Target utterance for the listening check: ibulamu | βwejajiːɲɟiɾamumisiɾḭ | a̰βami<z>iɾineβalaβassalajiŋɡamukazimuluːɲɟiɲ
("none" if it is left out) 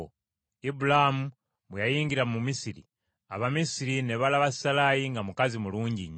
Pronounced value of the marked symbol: s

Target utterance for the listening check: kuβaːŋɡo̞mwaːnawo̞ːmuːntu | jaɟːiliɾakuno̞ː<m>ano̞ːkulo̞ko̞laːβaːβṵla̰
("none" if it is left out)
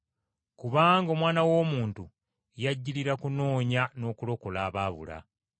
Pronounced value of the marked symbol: ɲ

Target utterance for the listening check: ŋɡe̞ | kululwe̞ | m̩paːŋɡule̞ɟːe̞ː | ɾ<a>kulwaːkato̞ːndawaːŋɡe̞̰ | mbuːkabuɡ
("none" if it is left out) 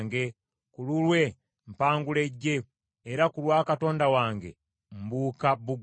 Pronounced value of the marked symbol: a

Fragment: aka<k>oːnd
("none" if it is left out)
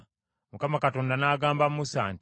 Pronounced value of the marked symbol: t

